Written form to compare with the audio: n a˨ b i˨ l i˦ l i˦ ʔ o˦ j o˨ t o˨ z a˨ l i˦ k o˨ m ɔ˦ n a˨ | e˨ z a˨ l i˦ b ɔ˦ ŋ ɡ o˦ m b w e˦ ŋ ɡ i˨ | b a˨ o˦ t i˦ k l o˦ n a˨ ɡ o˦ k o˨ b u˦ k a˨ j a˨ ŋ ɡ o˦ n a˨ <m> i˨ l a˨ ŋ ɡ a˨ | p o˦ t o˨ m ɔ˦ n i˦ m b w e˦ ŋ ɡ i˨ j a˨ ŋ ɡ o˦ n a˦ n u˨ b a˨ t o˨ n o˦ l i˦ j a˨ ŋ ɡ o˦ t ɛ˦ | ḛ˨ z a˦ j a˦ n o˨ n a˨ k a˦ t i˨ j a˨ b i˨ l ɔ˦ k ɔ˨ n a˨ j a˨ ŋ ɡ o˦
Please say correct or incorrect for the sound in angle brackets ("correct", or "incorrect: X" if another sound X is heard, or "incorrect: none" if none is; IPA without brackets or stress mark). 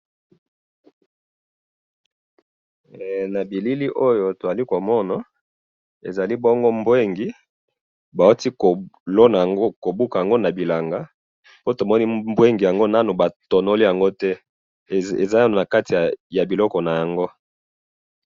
incorrect: b